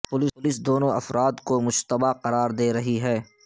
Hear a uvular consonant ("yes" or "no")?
yes